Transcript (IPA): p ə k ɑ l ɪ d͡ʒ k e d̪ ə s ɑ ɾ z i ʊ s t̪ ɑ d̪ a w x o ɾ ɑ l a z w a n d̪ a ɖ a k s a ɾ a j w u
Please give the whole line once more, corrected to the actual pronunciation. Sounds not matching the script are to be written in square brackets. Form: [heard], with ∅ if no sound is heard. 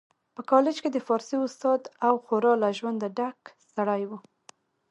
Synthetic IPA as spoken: p ə k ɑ l ɪ d͡ʒ k e d̪ ə [f] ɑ ɾ [s] i ʊ s t̪ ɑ d̪ a w x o ɾ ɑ l a [ʒ] w a n d̪ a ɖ a k s a [ɽ] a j w u